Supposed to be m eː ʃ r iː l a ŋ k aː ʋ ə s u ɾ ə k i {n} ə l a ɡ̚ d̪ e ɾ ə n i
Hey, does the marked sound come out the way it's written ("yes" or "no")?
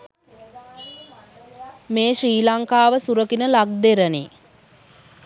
yes